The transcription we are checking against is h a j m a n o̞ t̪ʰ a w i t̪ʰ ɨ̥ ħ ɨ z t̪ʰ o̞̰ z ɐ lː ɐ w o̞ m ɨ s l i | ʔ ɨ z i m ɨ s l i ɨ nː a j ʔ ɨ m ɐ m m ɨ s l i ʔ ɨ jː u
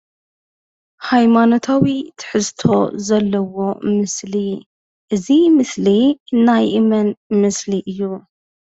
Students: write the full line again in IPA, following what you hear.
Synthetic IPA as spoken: h a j m a n o̞ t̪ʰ a w i t̪ʰ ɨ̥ ħ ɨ z t̪ʰ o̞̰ z ɐ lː ɐ w o̞ m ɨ s l i | ʔ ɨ z i m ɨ s l i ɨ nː a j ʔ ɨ m ɐ n m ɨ s l i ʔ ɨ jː u